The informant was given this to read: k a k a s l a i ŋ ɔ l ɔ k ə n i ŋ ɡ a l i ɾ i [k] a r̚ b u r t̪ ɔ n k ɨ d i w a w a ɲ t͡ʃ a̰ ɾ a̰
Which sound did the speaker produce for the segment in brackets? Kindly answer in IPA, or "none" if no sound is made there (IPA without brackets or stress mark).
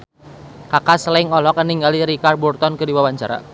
k